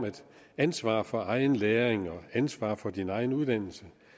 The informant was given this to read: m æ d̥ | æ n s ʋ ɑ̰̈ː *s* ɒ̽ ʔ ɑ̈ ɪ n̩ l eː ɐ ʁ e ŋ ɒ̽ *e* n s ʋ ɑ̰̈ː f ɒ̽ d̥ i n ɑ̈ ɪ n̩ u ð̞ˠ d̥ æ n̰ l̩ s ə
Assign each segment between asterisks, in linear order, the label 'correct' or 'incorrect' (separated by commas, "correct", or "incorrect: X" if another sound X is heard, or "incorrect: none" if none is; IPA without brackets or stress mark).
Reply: incorrect: f, incorrect: æ